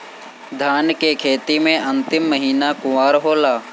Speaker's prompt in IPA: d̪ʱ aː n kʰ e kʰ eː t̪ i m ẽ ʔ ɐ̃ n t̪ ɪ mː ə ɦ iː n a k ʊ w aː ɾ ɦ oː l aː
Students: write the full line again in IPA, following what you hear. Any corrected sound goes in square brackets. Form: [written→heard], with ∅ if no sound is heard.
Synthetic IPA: d̪ʱ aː n [kʰ→k] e kʰ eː t̪ i m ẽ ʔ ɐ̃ n t̪ ɪ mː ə ɦ iː n a k ʊ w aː ɾ ɦ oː l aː

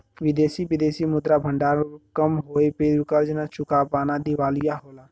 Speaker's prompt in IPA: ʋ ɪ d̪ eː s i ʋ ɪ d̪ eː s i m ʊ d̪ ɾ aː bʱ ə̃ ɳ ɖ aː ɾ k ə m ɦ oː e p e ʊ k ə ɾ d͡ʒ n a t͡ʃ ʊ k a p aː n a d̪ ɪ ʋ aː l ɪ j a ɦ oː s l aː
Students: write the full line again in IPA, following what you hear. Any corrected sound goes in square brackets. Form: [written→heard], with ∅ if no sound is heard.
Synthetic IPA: ʋ ɪ d̪ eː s i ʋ ɪ d̪ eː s i m ʊ d̪ ɾ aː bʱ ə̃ ɳ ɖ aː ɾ k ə m ɦ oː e p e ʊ k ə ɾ d͡ʒ n a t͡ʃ ʊ k a p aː n a d̪ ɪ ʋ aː l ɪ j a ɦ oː [s→∅] l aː

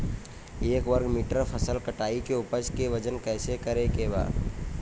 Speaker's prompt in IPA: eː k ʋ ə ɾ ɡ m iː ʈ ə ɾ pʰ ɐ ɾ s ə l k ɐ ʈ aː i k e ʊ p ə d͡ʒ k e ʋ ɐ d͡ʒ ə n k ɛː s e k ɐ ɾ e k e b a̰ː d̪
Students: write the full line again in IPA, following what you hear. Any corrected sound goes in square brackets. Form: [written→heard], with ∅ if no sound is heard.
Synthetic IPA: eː k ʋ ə ɾ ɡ m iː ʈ ə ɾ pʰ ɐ [ɾ→∅] s ə l k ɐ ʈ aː i k e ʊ p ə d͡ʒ k e ʋ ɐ d͡ʒ ə n k ɛː s e k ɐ ɾ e k e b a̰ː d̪

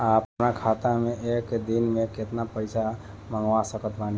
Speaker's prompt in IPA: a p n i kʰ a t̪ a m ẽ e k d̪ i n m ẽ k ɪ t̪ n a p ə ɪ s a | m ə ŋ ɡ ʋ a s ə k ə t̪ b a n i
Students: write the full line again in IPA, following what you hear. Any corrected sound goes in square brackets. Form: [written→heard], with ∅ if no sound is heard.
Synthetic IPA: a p n [i→a] kʰ a t̪ a m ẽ e k d̪ i n m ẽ k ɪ t̪ n a p ə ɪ s a | m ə ŋ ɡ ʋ a s ə k ə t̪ b a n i

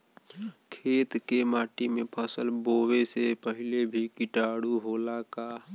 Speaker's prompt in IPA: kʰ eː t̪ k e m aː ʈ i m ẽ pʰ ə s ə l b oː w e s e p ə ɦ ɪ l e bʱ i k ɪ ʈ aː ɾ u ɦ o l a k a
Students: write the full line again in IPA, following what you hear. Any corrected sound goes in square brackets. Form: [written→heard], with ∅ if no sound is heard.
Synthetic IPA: kʰ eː t̪ k e m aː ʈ i m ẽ pʰ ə s ə l b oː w e s e p ə ɦ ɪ l e bʱ i k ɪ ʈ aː [ɾ→ɽ] u ɦ o l a k a

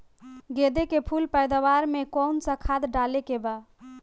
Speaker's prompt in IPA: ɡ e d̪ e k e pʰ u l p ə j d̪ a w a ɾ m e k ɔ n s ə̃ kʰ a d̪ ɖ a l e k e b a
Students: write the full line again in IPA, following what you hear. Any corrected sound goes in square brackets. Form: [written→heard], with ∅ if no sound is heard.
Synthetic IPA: ɡ e d̪ e k e pʰ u l p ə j d̪ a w a ɾ m e k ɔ n s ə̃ kʰ a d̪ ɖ a l e k e b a

